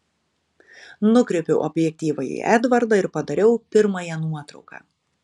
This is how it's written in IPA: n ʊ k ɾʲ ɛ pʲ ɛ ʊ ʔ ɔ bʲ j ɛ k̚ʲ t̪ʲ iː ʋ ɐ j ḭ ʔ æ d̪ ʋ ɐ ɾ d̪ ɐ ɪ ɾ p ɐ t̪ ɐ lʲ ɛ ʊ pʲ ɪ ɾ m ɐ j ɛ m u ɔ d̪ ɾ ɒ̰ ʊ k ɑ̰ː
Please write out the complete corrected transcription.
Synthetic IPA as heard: n ʊ k ɾʲ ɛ pʲ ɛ ʊ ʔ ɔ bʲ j ɛ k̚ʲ t̪ʲ iː ʋ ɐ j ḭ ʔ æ d̪ ʋ ɐ ɾ d̪ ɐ ɪ ɾ p ɐ d̪ ɐ ɾʲ ɛ ʊ pʲ ɪ ɾ m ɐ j ɛ n u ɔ t̪ ɾ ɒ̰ ʊ k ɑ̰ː